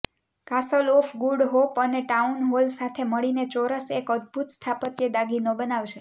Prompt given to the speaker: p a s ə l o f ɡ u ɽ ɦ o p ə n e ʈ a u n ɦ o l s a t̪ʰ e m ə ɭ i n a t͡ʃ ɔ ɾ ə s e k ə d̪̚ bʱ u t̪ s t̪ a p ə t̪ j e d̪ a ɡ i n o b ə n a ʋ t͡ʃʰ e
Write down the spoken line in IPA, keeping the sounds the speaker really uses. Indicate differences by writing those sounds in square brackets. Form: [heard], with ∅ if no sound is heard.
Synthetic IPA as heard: [k] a s ə l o f ɡ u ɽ ɦ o p ə n e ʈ a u n ɦ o l s a t̪ʰ e m ə ɭ i n [e] t͡ʃ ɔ ɾ ə s e k ə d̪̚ bʱ u t̪ s [t̪ʰ] a p ə t̪ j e d̪ a ɡ i n o b ə n a ʋ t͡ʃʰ e